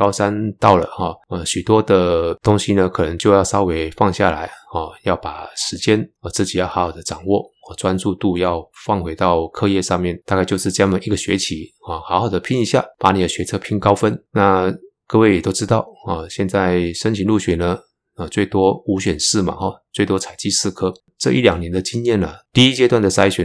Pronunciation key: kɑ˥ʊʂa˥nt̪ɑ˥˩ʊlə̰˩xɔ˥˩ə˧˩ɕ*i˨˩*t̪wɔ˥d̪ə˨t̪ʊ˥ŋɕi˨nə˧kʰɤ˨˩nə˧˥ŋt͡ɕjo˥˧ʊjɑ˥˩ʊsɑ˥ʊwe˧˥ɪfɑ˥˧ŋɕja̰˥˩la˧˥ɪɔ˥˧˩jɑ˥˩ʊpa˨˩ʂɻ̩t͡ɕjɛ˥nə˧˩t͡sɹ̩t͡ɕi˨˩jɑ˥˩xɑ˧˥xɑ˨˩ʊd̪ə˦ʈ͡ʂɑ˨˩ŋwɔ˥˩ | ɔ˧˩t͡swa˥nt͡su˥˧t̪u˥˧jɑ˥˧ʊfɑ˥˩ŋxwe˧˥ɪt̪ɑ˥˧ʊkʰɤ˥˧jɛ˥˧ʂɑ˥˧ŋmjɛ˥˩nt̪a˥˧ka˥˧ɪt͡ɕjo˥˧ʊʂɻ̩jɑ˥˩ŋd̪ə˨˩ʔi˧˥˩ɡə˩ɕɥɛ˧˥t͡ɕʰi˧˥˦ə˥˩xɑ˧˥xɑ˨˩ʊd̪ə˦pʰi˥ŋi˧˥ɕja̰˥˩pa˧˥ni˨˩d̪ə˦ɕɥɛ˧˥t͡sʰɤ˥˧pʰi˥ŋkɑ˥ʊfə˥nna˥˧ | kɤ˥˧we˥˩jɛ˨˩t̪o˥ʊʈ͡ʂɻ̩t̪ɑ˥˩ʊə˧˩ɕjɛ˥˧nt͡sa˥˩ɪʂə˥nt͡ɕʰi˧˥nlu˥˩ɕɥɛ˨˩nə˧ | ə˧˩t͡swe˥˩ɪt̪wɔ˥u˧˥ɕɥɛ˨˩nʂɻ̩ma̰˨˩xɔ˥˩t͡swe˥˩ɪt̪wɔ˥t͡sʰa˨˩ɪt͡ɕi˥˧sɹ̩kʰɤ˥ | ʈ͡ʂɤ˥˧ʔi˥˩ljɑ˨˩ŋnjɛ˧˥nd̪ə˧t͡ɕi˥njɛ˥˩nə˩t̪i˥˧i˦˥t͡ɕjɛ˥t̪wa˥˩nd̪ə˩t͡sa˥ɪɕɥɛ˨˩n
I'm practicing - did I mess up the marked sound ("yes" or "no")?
yes